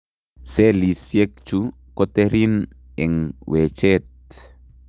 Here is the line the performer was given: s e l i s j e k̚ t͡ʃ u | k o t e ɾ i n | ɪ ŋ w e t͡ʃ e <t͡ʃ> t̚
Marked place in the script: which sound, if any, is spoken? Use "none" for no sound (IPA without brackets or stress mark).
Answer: none